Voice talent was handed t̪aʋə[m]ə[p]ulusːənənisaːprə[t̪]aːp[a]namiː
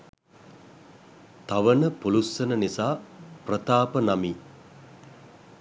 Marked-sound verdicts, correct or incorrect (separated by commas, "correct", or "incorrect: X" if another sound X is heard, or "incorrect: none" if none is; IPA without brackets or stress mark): incorrect: n, correct, correct, incorrect: ə